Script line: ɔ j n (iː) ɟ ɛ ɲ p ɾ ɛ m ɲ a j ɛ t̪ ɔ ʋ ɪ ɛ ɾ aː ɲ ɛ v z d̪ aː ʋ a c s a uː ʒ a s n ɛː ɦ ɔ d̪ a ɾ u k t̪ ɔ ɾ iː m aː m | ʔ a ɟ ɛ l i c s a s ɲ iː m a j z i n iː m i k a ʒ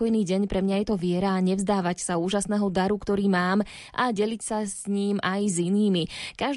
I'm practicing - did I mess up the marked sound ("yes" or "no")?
no